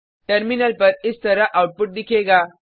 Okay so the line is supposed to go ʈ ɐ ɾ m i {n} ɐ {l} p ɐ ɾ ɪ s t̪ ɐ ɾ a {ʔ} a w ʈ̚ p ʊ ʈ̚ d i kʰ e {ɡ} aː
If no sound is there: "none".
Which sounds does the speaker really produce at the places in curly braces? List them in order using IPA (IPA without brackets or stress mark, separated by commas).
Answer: n, l, ʔ, ɡ